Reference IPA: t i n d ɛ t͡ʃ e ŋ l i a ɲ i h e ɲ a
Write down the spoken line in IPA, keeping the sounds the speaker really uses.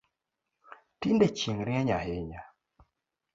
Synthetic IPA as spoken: t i n d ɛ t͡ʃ i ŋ ɾ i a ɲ a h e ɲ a